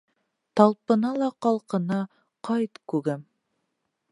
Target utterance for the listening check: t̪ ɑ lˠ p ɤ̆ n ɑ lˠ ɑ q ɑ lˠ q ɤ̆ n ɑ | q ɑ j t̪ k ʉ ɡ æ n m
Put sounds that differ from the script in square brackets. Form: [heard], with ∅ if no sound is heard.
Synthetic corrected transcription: t̪ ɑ lˠ p ɤ̆ n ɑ lˠ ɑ q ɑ lˠ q ɤ̆ n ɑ | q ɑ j t̪ k ʉ ɡ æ [∅] m

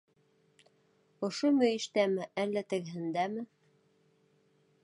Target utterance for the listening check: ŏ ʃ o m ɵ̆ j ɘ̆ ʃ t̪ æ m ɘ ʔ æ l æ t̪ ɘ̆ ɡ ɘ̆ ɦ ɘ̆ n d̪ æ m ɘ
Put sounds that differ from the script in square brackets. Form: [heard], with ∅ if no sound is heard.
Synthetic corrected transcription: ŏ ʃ o m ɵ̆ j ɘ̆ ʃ t̪ æ m ɘ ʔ æ [lː] æ t̪ ɘ̆ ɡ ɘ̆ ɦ ɘ̆ n d̪ æ m ɘ

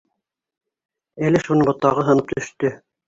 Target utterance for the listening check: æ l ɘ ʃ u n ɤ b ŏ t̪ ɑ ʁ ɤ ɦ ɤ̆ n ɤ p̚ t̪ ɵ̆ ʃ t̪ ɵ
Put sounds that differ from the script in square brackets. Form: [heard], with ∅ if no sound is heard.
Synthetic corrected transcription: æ l ɘ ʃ u n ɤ b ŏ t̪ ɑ ʁ ɤ ɦ ɤ̆ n ɤ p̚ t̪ ɵ̆ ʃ t̪ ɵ

